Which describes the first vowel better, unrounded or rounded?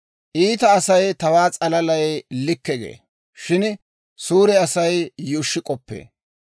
unrounded